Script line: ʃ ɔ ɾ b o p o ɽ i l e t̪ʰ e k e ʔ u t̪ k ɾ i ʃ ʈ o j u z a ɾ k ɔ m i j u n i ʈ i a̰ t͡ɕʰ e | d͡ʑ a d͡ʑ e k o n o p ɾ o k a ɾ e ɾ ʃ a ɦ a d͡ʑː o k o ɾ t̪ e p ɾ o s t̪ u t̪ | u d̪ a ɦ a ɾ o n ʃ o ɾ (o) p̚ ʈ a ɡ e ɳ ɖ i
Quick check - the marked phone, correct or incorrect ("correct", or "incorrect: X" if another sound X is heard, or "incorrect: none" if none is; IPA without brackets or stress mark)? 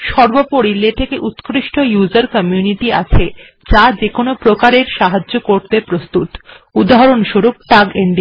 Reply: incorrect: u